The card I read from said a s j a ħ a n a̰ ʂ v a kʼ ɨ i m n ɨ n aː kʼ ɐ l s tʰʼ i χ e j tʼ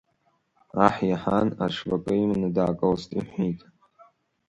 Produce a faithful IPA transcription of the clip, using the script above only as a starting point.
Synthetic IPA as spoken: a ħ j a ħ a n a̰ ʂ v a kʼ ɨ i m n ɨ d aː kʼ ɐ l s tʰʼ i ħ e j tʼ